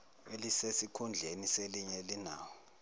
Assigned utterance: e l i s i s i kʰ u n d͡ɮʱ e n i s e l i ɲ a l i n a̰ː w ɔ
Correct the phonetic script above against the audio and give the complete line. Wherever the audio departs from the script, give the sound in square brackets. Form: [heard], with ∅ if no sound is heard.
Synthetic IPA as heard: e l i s [e] s i kʰ u n d͡ɮʱ e n i s e l i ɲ [ɛ] l i n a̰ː w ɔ